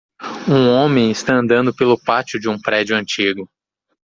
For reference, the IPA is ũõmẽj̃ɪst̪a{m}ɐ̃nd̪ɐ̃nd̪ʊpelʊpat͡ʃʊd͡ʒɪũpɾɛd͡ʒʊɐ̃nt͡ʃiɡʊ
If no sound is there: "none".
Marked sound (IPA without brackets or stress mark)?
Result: none